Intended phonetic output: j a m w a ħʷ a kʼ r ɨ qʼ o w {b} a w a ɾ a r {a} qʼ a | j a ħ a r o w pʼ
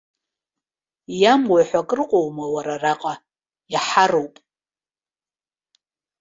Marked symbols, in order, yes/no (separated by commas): no, yes